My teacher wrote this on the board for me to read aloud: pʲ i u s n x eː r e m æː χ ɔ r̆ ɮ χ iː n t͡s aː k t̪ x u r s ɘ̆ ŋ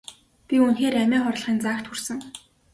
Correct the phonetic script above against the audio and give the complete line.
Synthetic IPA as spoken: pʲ i u n x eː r æ m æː χ ɔ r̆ ɮ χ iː n t͡s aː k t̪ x u r s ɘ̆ ŋ

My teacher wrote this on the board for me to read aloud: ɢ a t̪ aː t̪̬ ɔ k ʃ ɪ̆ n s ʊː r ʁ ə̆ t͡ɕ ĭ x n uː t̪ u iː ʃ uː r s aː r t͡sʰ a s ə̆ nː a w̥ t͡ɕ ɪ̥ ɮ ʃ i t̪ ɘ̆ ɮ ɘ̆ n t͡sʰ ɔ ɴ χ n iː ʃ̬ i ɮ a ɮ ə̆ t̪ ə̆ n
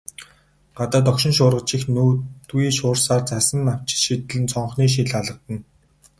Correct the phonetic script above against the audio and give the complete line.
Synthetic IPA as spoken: ɢ a t̪ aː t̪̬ ɔ k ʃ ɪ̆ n ʃ ʊː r ʁ ə̆ t͡ɕ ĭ x n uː t̪ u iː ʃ ʊː r s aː r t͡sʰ a s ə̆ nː a w̥ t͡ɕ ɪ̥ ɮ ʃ i t̪ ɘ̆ ɮ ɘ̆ n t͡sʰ ɔ ɴ χ n iː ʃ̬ i ɮ a ɮ ə̆ t̪ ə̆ n

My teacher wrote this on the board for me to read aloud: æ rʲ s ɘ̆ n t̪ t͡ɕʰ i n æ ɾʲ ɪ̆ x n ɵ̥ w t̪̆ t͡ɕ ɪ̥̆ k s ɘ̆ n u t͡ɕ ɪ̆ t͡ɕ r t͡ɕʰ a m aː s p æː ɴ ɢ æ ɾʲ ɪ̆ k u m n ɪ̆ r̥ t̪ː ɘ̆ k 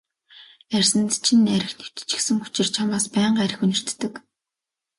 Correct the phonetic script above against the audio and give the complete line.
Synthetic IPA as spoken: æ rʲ s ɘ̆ n t̪ t͡ɕʰ i n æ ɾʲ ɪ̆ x n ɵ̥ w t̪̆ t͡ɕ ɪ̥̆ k s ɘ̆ ŋ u t͡ɕ ɪ̆ r t͡ɕʰ a m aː s p æː ɴ ɢ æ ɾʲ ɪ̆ x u n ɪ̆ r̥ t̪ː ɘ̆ k

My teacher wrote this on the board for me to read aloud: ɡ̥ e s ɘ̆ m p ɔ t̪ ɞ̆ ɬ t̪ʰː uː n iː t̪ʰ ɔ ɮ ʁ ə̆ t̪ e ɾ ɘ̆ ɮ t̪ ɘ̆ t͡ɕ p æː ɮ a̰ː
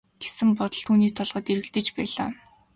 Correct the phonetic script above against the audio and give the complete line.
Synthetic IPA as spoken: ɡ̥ e s ɘ̆ m p ɔ t̪ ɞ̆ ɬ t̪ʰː uː n iː t̪ʰ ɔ ɮ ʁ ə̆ t̪ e ɾ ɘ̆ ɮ t̪ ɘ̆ t͡ɕ p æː ɮ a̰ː

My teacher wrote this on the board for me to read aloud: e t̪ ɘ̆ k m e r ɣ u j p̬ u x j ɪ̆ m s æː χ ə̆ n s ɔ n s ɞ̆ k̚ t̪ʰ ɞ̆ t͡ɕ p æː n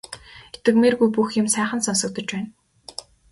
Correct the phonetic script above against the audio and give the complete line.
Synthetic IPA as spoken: e t̪ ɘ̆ k m e r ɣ u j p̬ u x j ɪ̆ m s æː χ ə̆ n s ɔ n s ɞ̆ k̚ t̪ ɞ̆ t͡ɕ p æː n

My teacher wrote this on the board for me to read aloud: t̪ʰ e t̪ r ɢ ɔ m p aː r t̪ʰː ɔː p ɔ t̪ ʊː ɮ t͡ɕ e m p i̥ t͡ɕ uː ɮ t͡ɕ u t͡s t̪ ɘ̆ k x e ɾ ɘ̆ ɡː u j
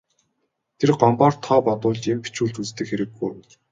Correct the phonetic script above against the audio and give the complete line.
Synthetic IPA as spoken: t̪ʰ e r ɢ ɔ m p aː r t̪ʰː ɔː p ɔ t̪ ʊː ɮ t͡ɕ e m p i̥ t͡ɕ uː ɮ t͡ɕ u t͡s t̪ ɘ̆ k x e ɾ ɘ̆ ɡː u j

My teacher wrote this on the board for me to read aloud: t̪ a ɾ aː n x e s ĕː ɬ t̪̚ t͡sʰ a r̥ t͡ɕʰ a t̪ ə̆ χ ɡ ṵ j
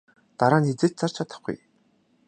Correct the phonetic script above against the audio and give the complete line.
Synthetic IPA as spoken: t̪ a ɾ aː n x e t͡s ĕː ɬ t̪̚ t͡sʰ a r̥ t͡ɕʰ a t̪ ə̆ χ ɡ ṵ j

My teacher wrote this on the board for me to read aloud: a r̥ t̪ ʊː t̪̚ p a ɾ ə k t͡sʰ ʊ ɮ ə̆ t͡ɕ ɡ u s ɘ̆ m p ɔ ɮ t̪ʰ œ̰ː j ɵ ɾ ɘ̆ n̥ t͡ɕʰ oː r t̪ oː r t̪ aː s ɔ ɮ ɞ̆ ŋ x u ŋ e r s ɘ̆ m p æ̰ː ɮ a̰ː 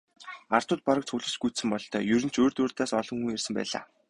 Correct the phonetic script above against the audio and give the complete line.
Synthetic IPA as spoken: a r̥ t̪ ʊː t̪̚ p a ɾ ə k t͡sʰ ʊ ɮ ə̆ t͡ɕ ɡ u s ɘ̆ m p ɔ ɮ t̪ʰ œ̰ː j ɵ ɾ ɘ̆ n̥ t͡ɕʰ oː r t̪ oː r t̪ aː s ɔ ɮ ɞ̆ ŋ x u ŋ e r s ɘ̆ m p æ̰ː ɮ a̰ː

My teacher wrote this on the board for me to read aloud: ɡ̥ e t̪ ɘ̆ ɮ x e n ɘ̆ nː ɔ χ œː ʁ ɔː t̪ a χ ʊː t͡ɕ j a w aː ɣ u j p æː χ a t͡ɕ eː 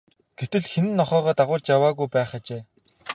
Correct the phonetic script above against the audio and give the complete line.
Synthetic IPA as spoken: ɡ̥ e t̪ ɘ̆ ɮ x e n ɘ̆ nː ɔ χ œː ʁ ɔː t̪ a ʁ ʊː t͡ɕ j a w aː ɣ u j p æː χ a t͡ɕ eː

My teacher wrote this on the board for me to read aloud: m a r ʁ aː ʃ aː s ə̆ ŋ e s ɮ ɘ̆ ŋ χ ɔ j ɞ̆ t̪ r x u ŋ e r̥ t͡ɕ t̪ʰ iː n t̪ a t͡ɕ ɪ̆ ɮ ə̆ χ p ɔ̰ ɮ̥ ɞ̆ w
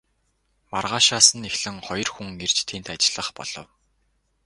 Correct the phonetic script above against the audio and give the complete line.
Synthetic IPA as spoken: m a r ʁ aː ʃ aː s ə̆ n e x ɮ ɘ̆ ŋ χ ɔ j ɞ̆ r x u ŋ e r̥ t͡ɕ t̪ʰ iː n t̪ a t͡ɕ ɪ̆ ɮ ə̆ χ p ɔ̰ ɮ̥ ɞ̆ w

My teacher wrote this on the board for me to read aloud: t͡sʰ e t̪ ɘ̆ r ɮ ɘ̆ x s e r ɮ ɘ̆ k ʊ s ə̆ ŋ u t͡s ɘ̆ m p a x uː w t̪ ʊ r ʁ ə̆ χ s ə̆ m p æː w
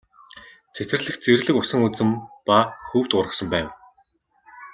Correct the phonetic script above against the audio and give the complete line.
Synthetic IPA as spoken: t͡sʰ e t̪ ɘ̆ r ɮ ɘ̆ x t͡s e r ɮ ɘ̆ k ʊ s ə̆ ŋ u t͡s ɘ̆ m p a x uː w t̪ ʊ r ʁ ə̆ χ s ə̆ m p æː w

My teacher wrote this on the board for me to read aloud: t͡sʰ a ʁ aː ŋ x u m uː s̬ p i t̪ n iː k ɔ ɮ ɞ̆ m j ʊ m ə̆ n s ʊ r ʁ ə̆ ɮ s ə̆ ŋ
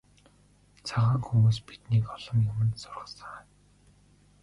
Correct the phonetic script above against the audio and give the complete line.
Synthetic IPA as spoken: t͡sʰ a ʁ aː ŋ x u m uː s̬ p i t̪ n iː k ɔ ɮ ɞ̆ m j ʊ m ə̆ n s ʊ r ʁ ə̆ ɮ s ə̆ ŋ

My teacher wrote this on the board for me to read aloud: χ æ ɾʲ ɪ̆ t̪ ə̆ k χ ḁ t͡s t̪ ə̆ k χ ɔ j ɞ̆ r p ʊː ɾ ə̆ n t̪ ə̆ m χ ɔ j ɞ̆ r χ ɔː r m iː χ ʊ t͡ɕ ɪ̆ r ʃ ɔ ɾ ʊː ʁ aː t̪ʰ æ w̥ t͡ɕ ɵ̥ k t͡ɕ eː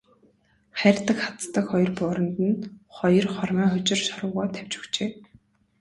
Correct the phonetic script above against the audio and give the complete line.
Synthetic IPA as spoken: χ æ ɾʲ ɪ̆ t̪ ə̆ k χ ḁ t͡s t̪ ə̆ k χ ɔ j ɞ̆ r p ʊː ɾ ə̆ n t̪ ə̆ n χ ɔ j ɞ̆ r χ ɔ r m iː χ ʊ t͡ɕ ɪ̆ r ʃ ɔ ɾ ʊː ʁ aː t̪ʰ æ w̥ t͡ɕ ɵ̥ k t͡ɕ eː

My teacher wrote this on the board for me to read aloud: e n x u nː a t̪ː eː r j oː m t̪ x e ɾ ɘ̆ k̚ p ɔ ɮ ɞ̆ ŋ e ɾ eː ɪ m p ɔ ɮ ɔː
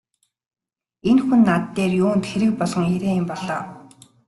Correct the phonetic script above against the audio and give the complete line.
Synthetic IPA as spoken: e n x u nː a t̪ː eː r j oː n t̪ x e ɾ ɘ̆ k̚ p ɔ ɮ ɞ̆ ŋ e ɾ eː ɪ m p ɔ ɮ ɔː

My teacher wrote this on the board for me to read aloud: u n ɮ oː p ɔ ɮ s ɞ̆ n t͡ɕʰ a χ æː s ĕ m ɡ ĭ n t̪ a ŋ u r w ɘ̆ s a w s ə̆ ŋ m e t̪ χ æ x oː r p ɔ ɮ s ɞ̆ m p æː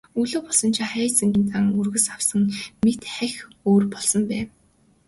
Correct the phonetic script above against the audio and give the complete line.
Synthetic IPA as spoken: u ɮ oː p ɔ ɮ s ɞ̆ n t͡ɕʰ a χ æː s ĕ ŋ ɡ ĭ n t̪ a ŋ u r ɣ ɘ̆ s a w s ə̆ ŋ m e t̪ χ æ x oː r p ɔ ɮ s ɞ̆ m p æː

